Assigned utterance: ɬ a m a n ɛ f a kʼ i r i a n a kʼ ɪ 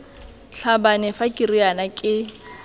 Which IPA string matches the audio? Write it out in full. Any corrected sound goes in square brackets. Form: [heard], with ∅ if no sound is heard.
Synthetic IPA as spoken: ɬ a [b] a n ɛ f a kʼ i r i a n a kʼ ɪ